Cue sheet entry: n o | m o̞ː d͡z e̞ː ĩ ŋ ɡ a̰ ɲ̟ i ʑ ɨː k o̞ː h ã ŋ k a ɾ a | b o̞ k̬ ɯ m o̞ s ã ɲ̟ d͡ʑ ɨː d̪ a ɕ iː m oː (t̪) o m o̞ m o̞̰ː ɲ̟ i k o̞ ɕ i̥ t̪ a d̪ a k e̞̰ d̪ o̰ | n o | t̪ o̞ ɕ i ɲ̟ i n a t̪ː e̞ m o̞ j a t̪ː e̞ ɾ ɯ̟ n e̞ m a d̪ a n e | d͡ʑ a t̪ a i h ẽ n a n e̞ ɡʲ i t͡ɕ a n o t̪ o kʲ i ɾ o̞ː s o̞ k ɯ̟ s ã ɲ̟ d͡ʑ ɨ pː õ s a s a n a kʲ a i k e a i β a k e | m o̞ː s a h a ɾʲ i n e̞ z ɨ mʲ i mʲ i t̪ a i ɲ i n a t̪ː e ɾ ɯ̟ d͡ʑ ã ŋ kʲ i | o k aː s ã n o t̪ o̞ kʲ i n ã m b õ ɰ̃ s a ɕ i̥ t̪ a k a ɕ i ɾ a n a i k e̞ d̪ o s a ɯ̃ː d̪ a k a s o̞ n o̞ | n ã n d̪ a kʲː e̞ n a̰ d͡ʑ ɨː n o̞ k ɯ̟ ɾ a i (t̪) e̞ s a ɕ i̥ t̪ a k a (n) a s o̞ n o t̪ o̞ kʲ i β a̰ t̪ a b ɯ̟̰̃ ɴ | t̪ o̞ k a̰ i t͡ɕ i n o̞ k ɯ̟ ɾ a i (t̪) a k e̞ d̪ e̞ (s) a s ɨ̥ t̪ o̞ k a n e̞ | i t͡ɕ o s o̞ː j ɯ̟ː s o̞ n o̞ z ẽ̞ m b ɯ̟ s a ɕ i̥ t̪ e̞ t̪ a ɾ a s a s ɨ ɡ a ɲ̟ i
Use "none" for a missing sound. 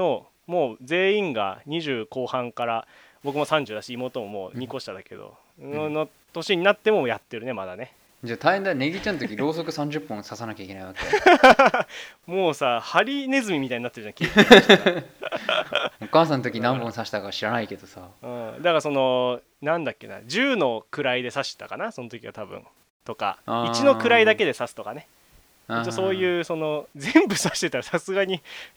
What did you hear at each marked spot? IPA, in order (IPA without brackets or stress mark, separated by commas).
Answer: t̪, d̪, n, d̪, s